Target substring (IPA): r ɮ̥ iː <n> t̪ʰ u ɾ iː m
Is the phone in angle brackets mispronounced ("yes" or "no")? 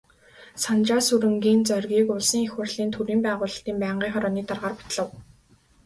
no